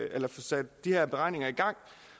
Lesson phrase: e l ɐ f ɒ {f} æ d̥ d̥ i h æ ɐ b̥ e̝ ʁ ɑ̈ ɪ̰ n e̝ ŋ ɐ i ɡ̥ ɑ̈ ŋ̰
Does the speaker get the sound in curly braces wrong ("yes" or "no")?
yes